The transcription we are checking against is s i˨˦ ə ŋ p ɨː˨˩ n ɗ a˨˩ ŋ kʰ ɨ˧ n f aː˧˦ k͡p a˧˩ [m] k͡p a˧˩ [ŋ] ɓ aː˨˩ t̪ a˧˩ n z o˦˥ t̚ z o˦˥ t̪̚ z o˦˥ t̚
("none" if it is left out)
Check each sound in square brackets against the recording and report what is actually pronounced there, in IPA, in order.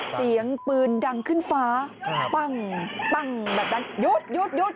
ŋ, ŋ

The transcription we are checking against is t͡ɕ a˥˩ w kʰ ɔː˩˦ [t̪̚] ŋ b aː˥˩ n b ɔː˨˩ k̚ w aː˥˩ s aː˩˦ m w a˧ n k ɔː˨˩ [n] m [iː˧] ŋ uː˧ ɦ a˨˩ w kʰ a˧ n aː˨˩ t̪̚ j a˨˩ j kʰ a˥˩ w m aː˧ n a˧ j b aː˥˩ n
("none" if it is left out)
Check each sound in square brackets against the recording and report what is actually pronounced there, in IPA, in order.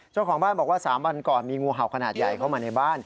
none, n, iː˧

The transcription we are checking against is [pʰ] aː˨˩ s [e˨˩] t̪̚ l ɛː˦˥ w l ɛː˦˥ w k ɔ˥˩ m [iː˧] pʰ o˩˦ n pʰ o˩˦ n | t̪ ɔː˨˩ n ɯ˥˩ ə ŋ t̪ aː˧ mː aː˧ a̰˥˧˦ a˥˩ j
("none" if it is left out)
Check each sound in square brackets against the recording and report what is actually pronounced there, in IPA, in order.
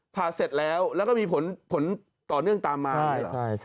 pʰ, e˨˩, iː˧

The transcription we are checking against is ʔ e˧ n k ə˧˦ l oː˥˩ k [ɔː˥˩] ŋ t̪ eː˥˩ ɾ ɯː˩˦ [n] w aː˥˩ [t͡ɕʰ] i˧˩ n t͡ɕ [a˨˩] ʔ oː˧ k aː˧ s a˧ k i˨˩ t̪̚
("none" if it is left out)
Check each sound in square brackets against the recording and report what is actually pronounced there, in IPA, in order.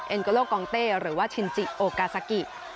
ɔː˧, none, t͡ɕʰ, i˨˩

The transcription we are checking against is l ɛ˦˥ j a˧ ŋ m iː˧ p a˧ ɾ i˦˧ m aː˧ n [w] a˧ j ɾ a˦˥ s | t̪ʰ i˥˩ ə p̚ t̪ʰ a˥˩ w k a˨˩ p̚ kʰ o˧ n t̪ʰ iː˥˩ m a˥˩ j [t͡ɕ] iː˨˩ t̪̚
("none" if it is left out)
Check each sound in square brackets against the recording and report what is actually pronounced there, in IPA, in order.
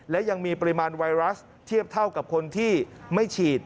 w, t͡ɕʰ

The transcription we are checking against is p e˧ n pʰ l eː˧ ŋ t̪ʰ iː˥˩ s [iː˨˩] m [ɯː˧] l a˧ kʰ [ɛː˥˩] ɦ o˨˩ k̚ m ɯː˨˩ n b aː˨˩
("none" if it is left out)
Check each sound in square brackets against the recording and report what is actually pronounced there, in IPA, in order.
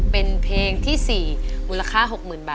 iː˨˩, uː˧, aː˥˩

